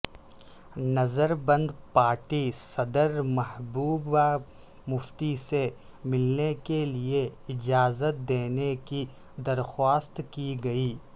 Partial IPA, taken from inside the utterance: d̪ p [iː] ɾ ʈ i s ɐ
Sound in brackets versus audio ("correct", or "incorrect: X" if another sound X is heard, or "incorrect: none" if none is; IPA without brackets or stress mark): incorrect: aː